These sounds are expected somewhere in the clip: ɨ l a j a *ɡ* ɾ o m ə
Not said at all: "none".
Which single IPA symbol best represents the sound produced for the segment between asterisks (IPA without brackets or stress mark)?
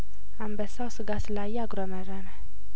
ɡ